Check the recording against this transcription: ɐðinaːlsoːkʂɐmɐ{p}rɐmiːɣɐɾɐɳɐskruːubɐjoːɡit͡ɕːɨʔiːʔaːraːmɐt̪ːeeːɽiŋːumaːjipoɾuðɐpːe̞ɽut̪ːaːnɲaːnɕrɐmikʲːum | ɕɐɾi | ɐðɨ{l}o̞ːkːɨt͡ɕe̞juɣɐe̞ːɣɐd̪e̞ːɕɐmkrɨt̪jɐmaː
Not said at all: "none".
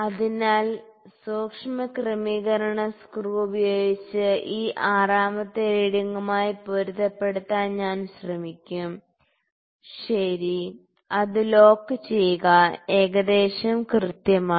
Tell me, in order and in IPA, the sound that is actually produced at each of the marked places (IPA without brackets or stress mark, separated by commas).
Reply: k, l